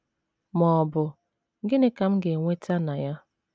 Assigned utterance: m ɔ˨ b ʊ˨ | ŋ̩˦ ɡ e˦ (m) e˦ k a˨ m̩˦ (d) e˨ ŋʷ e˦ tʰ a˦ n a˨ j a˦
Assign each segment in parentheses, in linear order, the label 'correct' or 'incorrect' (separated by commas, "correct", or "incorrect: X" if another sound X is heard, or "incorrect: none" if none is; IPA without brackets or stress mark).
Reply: incorrect: n, incorrect: ɡ